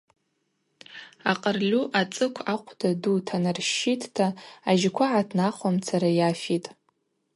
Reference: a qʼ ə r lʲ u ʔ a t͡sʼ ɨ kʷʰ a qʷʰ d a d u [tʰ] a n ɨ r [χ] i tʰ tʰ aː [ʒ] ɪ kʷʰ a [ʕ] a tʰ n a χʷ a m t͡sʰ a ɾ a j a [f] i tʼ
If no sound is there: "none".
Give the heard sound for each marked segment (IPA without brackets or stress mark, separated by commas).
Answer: tʰ, ʃ, ʒ, ʕ, f